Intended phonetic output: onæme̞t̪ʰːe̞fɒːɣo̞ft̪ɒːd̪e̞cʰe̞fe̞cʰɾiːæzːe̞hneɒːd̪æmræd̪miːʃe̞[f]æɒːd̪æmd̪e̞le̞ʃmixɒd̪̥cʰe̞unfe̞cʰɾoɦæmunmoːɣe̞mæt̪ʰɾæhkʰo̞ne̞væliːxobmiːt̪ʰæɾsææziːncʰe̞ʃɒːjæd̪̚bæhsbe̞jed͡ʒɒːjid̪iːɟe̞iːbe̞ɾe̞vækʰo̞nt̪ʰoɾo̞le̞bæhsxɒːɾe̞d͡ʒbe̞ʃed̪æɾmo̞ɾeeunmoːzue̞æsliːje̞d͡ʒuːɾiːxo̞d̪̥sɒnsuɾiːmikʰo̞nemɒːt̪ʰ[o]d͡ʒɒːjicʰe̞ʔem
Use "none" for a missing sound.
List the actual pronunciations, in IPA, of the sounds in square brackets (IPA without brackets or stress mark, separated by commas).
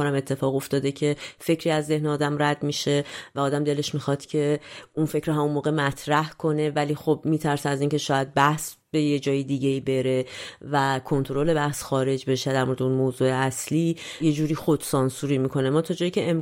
v, ɒ